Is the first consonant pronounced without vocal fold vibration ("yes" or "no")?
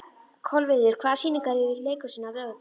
yes